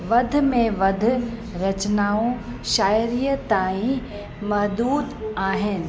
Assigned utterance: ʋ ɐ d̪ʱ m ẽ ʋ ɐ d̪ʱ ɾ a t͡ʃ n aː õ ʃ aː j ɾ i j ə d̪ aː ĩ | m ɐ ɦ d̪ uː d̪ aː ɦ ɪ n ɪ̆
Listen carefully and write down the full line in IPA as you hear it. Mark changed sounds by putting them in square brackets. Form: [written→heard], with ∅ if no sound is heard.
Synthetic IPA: ʋ ɐ d̪ʱ m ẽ ʋ ɐ d̪ʱ ɾ [a→ɐ] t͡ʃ n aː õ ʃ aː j ɾ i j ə [d̪→t̪] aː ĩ | m ɐ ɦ d̪ uː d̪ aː ɦ ɪ n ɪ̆